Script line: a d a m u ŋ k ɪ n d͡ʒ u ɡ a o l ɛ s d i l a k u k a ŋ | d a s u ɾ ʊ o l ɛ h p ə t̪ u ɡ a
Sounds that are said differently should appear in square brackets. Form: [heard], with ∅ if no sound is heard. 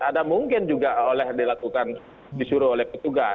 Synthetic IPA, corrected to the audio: a d a m u ŋ k ɪ n d͡ʒ u ɡ a o l ɛ [h] d i l a k u k a [n] | d [i] s u ɾ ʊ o l ɛ h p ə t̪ u ɡ a